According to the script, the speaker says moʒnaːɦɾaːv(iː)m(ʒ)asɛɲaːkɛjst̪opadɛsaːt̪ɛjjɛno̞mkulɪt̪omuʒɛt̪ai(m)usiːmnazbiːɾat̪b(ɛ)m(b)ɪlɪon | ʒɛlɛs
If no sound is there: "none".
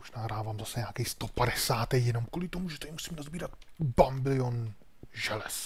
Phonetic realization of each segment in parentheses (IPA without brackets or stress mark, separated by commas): aː, z, m, a, b